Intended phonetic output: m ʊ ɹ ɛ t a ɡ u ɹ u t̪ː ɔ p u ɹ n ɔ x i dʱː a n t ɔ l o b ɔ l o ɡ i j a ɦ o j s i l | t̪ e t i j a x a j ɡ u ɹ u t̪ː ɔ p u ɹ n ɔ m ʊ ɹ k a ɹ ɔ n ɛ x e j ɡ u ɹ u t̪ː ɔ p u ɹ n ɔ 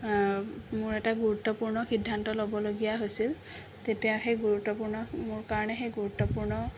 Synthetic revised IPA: m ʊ ɹ ɛ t a ɡ u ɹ u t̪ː ɔ p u ɹ n ɔ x i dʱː a n t ɔ l o b ɔ l o ɡ i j a ɦ o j s i l | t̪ e t i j a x e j ɡ u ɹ u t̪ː ɔ p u ɹ n ɔ m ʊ ɹ k a ɹ ɔ n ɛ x e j ɡ u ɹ u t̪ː ɔ p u ɹ n ɔ